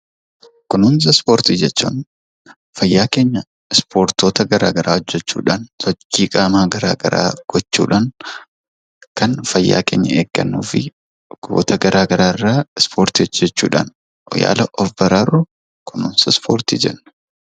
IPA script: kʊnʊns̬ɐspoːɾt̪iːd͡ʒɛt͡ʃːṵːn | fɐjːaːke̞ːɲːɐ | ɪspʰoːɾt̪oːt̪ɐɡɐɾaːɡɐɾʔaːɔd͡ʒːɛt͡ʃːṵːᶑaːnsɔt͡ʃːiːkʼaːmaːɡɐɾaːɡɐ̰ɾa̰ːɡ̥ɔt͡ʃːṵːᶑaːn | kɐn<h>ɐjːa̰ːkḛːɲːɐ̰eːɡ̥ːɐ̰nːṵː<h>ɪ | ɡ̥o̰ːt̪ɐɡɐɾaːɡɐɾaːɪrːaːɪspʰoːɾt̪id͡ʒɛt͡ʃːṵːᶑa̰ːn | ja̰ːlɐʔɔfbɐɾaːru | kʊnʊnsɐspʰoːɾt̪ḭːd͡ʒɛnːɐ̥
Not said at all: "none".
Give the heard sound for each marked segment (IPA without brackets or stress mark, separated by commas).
f, f